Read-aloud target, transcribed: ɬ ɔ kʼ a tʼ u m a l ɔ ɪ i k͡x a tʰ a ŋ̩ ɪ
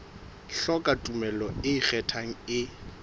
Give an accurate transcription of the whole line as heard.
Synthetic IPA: ɬ ɔ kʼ a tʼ u m ɛ l ɔ ɪ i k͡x ɛ tʰ a ŋ̩ ɪ